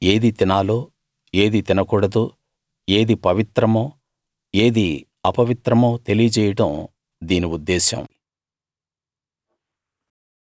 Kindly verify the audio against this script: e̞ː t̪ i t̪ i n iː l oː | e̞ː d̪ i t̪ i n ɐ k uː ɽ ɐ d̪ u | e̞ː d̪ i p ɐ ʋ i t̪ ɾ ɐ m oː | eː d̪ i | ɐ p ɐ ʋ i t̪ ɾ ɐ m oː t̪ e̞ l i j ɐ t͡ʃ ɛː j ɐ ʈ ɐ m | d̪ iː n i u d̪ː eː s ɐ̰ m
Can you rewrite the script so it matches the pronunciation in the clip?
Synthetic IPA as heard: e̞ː d̪ i t̪ i n aː l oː | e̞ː d̪ i t̪ i n ɐ k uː ɽ ɐ d̪ u | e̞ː d̪ i p ɐ ʋ i t̪ ɾ ɐ m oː | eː d̪ i | ɐ p ɐ ʋ i t̪ ɾ ɐ m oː t̪ e̞ l i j ɐ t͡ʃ ɛː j ɐ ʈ ɐ m | d̪ iː n i u d̪ː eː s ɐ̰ m